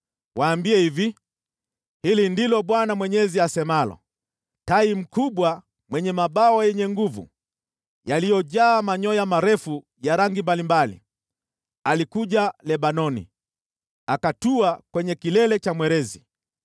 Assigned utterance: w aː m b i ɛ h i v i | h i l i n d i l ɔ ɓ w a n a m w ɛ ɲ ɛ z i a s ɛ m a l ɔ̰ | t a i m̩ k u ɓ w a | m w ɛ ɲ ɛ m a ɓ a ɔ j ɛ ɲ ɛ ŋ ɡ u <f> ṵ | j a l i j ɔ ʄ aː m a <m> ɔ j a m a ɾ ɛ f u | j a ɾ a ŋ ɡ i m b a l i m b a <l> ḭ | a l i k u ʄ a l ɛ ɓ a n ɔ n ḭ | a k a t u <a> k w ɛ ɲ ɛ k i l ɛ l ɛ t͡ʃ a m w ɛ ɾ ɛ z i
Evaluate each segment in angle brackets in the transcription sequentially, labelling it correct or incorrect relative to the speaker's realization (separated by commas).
incorrect, incorrect, correct, correct